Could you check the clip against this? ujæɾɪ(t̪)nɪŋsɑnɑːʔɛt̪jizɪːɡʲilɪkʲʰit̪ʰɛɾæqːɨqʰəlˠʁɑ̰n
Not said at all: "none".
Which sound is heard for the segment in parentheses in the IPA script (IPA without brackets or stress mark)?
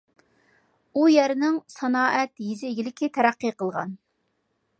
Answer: none